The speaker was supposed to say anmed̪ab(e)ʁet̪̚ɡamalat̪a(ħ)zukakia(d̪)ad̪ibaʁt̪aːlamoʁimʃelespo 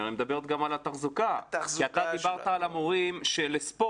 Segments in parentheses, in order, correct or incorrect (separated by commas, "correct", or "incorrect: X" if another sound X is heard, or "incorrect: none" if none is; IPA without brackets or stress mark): correct, incorrect: χ, incorrect: t̪